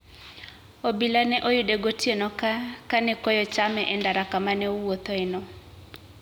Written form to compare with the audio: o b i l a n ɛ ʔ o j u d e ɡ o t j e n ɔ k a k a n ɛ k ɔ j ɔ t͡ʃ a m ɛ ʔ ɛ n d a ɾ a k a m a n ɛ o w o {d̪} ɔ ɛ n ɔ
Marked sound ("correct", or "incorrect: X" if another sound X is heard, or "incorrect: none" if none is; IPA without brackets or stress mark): incorrect: t̪